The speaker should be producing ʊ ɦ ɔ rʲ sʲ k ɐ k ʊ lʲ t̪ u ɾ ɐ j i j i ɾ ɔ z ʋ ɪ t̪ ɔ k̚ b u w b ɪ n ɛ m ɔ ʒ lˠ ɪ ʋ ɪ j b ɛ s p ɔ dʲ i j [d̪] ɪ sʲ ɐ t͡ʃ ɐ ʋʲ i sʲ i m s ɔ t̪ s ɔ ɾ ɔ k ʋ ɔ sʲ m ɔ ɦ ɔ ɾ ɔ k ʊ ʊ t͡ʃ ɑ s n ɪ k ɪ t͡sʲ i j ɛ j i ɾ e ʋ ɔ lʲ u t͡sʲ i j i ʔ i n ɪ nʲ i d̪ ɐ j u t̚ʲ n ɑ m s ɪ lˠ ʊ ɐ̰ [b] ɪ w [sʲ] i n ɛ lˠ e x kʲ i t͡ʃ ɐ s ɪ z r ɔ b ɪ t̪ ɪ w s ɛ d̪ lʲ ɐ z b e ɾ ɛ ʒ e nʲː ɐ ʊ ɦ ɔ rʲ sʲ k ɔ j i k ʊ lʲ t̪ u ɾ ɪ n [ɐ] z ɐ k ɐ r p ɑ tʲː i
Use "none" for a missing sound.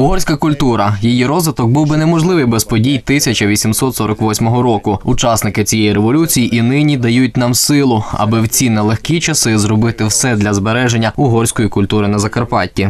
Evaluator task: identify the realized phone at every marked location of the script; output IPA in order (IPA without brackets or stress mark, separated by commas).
t̪, b, t͡sʲ, ɐ